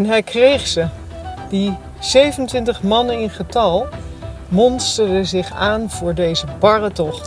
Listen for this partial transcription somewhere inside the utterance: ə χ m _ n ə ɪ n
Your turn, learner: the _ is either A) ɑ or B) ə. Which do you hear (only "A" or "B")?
A